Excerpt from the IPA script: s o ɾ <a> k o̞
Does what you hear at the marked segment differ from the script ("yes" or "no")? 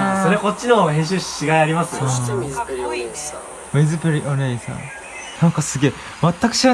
yes